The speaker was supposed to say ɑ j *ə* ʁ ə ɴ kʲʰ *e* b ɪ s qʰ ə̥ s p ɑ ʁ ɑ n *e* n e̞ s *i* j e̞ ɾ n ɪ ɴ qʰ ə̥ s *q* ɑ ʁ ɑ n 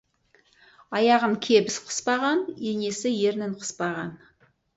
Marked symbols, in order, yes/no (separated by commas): no, yes, yes, no, no